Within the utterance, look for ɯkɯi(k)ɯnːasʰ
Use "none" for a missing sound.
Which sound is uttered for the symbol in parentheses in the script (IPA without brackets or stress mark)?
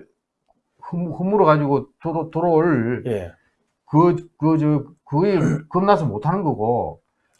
k